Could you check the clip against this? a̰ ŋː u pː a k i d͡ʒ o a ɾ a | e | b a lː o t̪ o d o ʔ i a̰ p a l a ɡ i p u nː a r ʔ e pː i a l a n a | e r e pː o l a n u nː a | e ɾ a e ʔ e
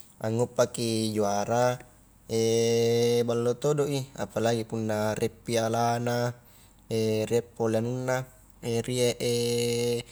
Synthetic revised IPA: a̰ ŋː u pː a k i d͡ʒ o a ɾ a | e | b a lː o t̪ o d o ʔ i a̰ p a l a ɡ i p u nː a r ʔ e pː i a l a n a | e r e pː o l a n u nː a | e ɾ i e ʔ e